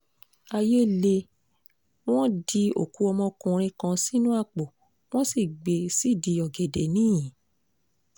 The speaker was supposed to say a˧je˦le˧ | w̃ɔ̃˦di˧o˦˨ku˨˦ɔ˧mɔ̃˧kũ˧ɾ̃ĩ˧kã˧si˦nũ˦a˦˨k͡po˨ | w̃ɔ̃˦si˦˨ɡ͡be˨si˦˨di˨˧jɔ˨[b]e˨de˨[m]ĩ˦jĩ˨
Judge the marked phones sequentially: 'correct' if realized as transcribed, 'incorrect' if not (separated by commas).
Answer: incorrect, incorrect